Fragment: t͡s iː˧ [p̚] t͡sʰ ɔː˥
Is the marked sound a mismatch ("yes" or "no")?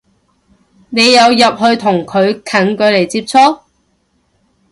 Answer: no